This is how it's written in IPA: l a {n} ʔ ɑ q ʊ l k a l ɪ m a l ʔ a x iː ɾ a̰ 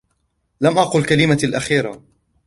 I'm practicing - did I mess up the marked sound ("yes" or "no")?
yes